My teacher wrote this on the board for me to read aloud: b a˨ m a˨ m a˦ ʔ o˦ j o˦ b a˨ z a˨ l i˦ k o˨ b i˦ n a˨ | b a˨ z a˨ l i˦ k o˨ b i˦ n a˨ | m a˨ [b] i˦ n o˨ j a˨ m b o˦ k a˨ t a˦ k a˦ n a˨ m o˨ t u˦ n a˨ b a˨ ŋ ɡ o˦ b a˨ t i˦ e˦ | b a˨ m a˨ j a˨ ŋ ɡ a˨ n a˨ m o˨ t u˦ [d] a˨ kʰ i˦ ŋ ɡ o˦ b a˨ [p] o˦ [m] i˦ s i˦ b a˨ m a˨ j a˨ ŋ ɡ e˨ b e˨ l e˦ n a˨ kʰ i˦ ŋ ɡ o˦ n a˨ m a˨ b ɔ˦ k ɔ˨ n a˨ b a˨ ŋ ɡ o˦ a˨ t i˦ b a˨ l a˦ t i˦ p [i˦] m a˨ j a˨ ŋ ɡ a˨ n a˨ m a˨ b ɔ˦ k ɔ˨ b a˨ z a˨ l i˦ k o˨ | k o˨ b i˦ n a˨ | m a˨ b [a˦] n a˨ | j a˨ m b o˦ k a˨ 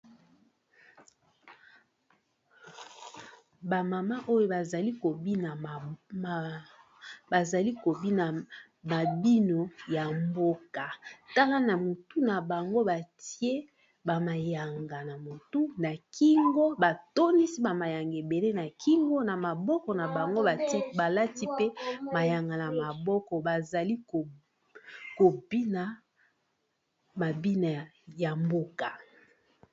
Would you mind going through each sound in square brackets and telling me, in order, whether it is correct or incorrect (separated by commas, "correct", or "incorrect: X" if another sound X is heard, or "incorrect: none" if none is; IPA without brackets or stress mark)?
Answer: correct, incorrect: n, incorrect: t, incorrect: n, incorrect: e˦, incorrect: i˦